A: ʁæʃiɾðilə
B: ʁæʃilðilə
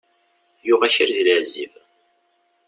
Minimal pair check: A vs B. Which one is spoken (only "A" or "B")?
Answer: A